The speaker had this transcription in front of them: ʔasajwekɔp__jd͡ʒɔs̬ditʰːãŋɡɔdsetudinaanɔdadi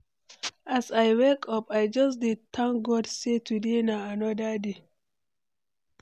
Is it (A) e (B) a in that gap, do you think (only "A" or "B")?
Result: B